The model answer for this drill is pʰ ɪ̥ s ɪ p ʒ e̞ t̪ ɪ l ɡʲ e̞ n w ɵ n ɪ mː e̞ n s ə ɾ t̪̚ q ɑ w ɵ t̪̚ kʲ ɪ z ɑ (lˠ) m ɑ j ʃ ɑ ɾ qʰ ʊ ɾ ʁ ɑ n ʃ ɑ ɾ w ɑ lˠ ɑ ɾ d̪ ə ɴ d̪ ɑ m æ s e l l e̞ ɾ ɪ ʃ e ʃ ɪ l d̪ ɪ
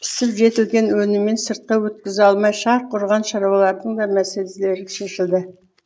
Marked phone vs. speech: correct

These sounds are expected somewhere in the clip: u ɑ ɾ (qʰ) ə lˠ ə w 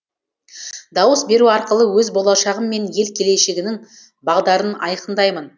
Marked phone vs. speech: incorrect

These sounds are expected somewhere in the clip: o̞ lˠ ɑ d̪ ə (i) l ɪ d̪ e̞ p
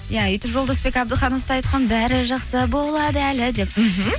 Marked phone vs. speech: incorrect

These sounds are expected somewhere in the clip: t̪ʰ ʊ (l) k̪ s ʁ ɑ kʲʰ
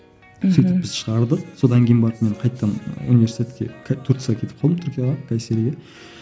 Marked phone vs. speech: incorrect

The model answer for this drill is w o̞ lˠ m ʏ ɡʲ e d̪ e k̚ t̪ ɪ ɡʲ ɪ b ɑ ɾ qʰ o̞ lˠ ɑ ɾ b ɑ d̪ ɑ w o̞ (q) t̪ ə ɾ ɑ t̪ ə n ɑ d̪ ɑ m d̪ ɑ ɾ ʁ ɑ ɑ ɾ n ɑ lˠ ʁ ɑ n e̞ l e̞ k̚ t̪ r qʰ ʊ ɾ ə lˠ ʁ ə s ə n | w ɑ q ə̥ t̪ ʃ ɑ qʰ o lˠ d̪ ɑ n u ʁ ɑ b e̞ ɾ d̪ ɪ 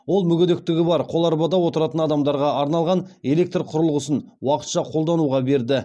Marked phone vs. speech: incorrect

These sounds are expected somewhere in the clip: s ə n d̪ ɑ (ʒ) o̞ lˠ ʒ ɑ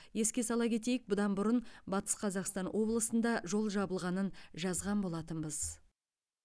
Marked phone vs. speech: correct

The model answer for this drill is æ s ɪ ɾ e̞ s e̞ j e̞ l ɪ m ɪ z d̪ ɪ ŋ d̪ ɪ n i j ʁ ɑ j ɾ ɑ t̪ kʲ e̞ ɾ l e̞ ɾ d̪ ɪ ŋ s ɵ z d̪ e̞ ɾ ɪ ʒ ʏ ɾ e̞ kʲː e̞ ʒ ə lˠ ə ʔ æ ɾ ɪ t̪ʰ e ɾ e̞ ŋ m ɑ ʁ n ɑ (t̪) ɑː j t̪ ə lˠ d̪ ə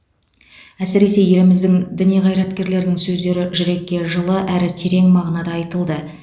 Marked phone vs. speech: incorrect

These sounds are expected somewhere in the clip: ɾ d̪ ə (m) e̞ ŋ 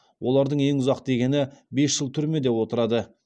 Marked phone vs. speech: incorrect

